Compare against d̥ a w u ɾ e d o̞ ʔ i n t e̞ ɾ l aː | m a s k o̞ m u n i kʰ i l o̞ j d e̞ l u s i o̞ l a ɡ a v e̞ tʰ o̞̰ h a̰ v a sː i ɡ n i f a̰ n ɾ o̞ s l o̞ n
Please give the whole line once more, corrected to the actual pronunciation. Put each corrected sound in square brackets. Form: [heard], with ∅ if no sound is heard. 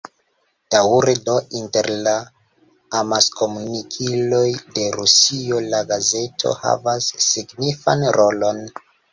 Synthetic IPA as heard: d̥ a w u ɾ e d o̞ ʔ i n t e̞ ɾ l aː | m a s k o̞ m u n i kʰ i l o̞ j d e̞ [ɾ] u s i o̞ l a ɡ a [z] e̞ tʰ o̞̰ h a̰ v a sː i ɡ n i f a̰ n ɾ o̞ [∅] l o̞ n